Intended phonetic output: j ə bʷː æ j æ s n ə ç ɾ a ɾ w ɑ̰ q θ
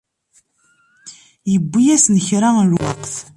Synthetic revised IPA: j ə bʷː i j æ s n ə ç ɾ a l w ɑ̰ q θ